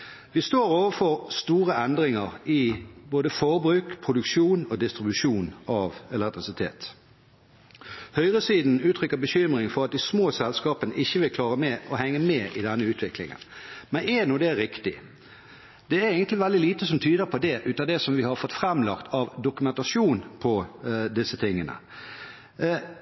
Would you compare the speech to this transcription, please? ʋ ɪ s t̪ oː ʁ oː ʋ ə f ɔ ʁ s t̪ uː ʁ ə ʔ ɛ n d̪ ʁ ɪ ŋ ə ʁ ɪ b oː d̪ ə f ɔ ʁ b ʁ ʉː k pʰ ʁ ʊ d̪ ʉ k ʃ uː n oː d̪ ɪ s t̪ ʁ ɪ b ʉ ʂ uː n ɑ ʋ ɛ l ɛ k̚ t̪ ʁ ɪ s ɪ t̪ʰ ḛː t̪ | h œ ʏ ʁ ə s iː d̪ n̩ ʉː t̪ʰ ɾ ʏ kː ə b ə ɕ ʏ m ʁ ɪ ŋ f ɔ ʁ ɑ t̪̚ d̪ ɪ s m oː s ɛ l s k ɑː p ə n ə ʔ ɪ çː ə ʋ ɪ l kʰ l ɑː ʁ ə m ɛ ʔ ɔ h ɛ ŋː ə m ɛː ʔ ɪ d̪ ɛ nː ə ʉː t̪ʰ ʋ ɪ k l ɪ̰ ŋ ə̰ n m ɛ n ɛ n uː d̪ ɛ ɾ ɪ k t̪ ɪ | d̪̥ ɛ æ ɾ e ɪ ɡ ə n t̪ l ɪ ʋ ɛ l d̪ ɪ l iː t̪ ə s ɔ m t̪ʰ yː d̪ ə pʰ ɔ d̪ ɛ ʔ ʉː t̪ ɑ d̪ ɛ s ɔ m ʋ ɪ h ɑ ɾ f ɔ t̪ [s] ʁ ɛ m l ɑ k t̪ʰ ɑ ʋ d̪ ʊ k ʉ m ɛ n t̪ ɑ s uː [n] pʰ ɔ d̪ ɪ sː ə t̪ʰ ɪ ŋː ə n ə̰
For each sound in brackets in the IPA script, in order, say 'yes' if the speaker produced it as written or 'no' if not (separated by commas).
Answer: no, yes